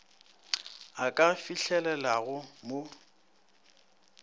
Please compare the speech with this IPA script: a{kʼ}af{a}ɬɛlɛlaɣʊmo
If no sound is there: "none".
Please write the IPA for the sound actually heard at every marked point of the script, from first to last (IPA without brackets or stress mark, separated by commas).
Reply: kʼ, i